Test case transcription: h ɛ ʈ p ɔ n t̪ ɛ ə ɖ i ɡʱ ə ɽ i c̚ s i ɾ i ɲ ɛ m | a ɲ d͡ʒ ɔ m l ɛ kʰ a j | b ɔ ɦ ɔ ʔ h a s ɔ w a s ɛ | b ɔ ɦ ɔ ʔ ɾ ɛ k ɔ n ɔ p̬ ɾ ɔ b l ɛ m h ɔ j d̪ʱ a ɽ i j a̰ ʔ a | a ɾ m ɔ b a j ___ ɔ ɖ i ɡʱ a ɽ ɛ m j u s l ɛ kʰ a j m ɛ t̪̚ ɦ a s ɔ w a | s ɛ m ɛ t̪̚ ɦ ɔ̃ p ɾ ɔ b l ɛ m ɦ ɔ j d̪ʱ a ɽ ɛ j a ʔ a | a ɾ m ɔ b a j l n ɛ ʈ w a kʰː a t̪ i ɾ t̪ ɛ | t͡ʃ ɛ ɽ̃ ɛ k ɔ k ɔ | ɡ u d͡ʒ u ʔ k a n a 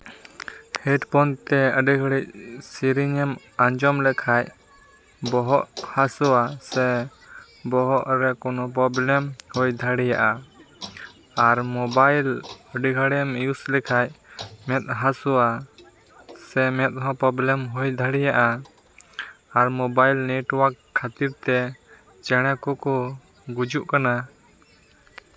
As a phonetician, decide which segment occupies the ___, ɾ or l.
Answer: l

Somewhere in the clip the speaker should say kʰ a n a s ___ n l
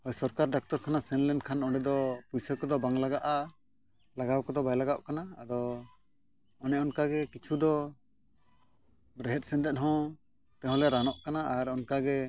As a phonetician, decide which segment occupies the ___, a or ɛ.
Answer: ɛ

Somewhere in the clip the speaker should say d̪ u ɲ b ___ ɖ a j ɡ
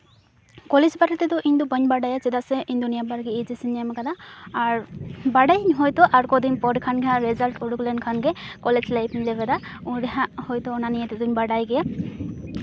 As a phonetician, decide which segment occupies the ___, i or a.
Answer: a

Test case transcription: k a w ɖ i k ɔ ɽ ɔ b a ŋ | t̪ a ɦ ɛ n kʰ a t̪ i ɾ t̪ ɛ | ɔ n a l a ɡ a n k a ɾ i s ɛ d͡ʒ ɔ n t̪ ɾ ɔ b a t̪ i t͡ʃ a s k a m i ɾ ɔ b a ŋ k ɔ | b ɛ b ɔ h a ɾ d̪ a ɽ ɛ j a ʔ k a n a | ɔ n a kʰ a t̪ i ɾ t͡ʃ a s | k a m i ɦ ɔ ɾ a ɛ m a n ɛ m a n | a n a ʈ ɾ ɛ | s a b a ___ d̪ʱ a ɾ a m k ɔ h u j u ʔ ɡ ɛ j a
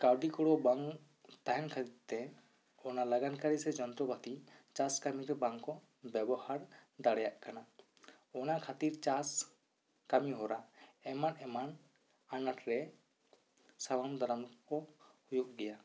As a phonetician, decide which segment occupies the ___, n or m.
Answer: m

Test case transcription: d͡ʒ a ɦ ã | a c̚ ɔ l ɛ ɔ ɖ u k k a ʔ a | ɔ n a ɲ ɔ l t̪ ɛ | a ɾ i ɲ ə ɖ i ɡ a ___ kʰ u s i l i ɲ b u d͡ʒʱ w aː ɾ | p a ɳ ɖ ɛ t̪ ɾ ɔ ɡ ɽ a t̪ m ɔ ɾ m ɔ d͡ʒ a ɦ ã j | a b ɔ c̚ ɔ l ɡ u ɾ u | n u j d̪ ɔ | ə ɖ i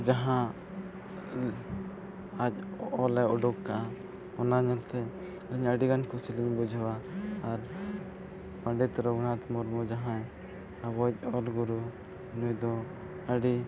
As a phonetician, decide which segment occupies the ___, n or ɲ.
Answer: n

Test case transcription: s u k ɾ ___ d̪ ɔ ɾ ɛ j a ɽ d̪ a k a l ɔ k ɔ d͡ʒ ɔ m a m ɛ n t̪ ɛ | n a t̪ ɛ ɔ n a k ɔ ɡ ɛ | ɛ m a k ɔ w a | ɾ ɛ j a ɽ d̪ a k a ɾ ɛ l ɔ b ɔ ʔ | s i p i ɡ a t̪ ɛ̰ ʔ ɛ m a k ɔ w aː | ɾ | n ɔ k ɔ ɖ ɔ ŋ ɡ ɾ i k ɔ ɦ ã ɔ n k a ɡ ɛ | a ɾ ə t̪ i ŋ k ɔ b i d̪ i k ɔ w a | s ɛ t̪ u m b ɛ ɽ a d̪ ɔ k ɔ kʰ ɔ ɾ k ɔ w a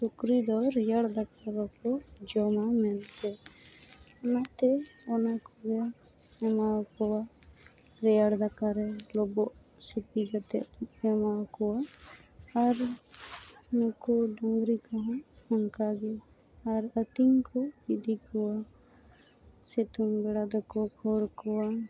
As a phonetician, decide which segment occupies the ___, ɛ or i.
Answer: i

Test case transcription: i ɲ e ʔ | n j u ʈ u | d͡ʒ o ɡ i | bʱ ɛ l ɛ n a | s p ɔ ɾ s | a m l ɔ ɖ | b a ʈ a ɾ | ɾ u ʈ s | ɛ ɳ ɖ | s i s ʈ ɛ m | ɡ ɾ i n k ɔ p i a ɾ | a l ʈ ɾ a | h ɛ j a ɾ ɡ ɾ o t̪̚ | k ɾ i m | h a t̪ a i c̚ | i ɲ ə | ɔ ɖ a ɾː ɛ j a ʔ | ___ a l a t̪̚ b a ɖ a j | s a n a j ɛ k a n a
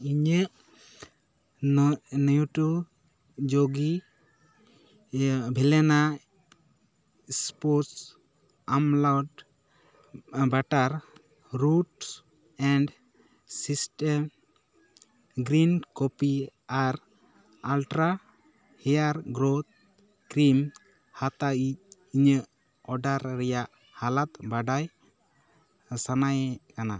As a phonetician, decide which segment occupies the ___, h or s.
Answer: h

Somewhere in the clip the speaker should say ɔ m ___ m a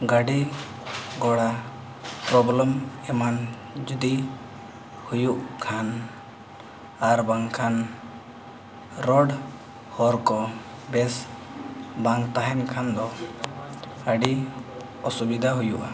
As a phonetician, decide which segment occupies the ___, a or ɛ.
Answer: ɛ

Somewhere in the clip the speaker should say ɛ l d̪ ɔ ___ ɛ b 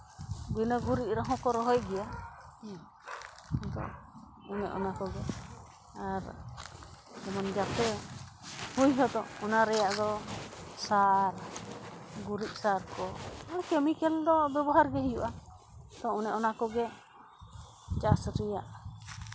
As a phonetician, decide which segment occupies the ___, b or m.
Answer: b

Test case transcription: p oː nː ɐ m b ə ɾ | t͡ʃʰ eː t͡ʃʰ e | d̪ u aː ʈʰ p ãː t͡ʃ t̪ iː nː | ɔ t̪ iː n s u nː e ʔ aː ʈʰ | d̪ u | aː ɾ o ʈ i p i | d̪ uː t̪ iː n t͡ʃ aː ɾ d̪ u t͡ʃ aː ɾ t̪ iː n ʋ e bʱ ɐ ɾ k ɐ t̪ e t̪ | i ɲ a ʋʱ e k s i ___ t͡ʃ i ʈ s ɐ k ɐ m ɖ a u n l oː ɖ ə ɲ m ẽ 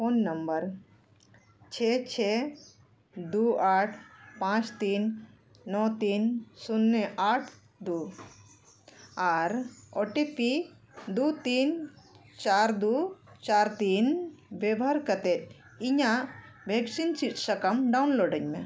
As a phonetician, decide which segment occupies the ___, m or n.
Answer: n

